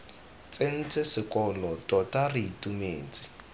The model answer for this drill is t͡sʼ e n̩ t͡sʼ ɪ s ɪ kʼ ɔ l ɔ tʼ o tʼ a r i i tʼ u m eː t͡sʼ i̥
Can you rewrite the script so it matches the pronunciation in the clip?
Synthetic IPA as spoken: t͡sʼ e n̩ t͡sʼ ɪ s ɪ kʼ ɔ l ɔ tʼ ɔ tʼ a r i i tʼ u m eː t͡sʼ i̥